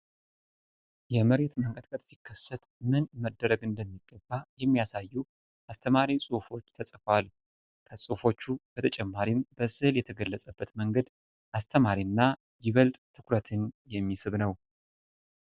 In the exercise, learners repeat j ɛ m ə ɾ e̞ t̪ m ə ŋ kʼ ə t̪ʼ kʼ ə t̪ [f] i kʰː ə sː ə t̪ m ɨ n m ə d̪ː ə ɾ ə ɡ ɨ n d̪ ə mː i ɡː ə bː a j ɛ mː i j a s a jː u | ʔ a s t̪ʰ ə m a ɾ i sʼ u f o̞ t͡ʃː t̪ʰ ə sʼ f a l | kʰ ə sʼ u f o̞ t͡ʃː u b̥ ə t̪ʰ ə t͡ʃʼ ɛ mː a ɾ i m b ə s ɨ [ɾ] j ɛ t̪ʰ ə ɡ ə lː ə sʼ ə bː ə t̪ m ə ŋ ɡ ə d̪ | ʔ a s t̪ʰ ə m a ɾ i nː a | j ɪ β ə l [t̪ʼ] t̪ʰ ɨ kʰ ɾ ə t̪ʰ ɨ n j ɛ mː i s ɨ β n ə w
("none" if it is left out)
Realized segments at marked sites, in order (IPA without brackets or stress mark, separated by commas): s, l, t̪ʼ